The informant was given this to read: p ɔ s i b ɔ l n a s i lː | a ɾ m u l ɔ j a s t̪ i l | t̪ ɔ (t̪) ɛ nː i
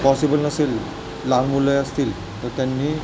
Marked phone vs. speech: correct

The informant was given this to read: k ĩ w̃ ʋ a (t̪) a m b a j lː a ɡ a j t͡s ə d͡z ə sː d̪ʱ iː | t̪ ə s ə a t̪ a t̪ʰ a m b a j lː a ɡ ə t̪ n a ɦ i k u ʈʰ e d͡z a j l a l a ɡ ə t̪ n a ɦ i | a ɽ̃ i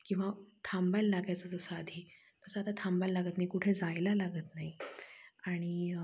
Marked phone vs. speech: incorrect: t̪ʰ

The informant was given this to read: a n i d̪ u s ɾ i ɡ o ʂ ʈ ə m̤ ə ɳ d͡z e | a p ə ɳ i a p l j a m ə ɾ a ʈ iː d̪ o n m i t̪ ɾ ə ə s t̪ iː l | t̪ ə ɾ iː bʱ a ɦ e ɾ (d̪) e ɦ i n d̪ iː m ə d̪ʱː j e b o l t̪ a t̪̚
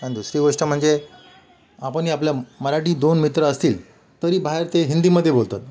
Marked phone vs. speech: incorrect: t̪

